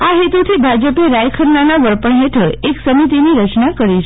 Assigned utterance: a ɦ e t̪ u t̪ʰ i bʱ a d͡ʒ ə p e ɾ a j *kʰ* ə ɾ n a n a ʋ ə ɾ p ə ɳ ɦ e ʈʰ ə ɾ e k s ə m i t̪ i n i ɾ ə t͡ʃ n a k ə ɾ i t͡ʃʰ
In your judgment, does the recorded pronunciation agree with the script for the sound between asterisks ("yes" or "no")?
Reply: yes